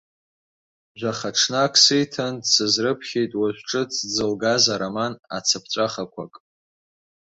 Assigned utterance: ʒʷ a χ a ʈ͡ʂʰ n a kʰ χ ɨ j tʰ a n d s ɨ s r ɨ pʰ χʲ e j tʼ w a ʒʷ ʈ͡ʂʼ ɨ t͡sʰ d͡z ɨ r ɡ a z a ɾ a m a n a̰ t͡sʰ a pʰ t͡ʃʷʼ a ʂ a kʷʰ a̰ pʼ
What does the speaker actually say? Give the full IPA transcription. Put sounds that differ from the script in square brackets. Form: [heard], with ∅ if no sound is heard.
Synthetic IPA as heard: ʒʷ a χ a ʈ͡ʂʰ n a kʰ [s] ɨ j tʰ a n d s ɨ [z] r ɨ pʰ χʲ e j tʼ w a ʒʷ ʈ͡ʂʼ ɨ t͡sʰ d͡z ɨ [l] ɡ a z a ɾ a m a n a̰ t͡sʰ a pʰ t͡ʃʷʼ a [χ] a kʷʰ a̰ [kʼ]

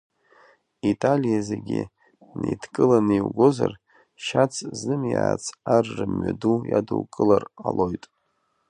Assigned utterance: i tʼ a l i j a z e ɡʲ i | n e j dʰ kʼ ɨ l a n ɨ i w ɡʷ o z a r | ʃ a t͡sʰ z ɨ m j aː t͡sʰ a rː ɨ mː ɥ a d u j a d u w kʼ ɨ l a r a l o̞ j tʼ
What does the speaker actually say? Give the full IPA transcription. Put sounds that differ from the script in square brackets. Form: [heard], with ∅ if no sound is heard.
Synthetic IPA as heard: i tʼ a l i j a z e ɡʲ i | n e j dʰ kʼ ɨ l a n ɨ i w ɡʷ o z a r | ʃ a t͡sʰ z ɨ m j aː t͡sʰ a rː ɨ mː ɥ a d u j a d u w kʼ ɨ l a r a l o̞ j tʼ

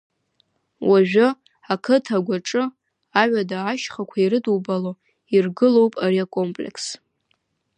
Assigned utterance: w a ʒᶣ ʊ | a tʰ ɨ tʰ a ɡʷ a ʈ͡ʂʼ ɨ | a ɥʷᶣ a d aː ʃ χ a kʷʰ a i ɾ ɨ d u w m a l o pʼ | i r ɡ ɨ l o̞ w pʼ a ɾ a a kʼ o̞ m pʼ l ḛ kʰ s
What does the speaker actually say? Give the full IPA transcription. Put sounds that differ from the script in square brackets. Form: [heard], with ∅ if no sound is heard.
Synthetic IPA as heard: w a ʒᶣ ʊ | a [kʰ] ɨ tʰ a ɡʷ a ʈ͡ʂʼ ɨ | a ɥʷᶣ a d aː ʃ χ a kʷʰ a i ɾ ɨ d u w [b] a l o [∅] | i r ɡ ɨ l o̞ w pʼ a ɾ [i] a kʼ o̞ m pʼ l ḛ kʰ s

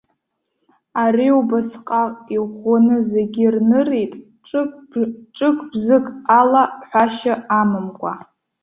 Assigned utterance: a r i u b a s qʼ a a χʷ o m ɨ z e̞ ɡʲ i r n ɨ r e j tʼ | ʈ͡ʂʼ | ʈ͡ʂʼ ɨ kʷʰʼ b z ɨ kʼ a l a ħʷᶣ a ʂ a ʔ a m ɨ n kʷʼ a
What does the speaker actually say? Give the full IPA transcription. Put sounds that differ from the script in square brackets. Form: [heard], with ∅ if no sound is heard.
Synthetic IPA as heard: a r i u b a s qʼ a [i] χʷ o [n] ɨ z e̞ ɡʲ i r n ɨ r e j tʼ | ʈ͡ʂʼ | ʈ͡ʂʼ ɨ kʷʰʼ b z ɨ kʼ a l a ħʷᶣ a [ʃ] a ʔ a m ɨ [m] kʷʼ a

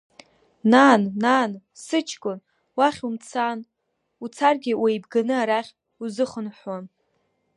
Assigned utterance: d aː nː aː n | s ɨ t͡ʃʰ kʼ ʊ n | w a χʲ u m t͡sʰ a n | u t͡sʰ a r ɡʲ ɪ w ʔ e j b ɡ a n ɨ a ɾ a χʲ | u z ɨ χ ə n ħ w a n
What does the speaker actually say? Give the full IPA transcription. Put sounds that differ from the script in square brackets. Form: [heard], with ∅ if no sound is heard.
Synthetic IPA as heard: [n] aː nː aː n | s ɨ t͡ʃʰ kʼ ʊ n | w a χʲ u m t͡sʰ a n | u t͡sʰ a r ɡʲ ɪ w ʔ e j b ɡ a n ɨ a ɾ a χʲ | u z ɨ χ ə n ħ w a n

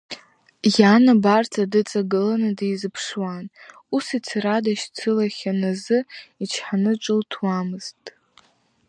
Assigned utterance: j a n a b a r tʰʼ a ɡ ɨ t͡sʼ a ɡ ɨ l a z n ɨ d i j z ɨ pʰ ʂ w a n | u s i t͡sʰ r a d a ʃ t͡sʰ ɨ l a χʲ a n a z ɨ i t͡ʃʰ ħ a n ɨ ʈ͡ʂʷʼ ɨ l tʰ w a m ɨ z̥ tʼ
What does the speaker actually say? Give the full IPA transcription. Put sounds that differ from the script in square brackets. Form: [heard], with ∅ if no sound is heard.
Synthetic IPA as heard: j a n a b a r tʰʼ a [d] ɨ t͡sʼ a ɡ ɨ l a [∅] n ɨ d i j z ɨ pʰ ʂ w a n | u s i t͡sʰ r a d a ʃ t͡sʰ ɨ l a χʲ a n a z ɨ i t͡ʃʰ ħ a n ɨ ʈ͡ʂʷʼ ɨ l tʰ w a m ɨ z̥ tʼ

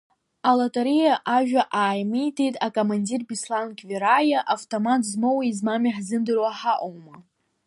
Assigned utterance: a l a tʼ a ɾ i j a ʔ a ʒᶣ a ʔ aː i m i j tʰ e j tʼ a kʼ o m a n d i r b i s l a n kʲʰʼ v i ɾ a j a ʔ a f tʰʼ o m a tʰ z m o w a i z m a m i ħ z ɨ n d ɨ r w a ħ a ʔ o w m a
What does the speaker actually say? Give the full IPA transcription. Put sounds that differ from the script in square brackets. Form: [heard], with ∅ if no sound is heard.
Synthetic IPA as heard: a l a tʼ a ɾ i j a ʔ a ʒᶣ a ʔ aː [j] m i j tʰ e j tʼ a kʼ o m a n d i r b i s l a n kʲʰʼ v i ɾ a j a ʔ a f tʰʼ o m a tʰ z m o w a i z m a m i ħ z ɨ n d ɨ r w a ħ a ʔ o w m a

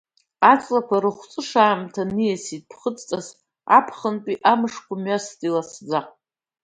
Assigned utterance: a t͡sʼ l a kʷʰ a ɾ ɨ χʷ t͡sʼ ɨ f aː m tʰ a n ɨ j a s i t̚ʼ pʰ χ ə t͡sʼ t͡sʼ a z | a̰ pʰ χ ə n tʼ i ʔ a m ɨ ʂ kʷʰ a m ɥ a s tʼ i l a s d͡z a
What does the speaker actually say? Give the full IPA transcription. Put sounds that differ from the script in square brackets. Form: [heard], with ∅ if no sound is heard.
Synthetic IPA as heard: a t͡sʼ l a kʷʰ a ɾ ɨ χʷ t͡sʼ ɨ [ʂ] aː m tʰ a n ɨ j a s i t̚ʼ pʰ χ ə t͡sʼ t͡sʼ a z | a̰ pʰ χ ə n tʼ i ʔ a m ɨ ʂ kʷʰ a m ɥ a s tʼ i l a s d͡z a

